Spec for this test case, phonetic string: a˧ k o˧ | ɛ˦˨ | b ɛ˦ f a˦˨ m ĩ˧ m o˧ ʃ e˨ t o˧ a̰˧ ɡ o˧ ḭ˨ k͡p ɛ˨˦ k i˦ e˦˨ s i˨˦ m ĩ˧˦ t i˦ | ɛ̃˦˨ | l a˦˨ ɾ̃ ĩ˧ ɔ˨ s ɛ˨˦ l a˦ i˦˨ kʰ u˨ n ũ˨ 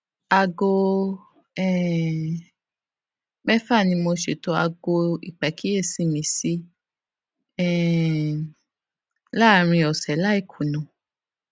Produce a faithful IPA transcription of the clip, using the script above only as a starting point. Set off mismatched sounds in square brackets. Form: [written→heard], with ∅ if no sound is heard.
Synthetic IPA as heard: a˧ [k→ɡ] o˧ | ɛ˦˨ | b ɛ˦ f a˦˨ [m→n] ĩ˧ m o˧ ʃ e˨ t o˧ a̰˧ ɡ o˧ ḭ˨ k͡p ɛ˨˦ k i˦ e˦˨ s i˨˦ m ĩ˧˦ [t→s] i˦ | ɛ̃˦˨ | l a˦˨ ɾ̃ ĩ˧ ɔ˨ s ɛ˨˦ l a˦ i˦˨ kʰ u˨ n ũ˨